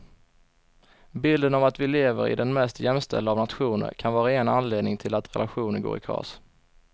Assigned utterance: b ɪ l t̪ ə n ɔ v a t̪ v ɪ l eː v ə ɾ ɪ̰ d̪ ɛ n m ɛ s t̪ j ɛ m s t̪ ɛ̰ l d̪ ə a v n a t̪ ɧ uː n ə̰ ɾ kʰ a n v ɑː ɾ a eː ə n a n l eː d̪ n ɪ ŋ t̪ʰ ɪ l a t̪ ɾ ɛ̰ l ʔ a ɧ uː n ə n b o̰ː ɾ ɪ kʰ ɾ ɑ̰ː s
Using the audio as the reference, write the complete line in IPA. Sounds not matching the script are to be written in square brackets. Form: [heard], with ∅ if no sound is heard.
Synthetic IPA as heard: b ɪ l [d̪] ə n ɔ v a t̪ v ɪ l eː v ə ɾ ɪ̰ d̪ ɛ n m ɛ s t̪ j ɛ m s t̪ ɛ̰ l d̪ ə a v n a t̪ ɧ uː n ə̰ ɾ kʰ a n v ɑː ɾ a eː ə n a n l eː d̪ n ɪ ŋ t̪ʰ ɪ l a t̪ ɾ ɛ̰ l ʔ a ɧ uː n ə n [ɡ] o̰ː ɾ ɪ kʰ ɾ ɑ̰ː s